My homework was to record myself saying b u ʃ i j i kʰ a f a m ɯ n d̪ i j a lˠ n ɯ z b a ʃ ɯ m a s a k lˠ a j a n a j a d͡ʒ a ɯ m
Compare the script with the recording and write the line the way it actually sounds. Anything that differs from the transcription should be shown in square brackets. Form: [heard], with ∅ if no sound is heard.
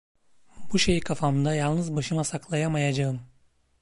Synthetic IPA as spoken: b u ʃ [e] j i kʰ a f a m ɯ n d̪ [a] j a lˠ n ɯ z b a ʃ ɯ m a s a k lˠ a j a [m] a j a d͡ʒ a ɯ m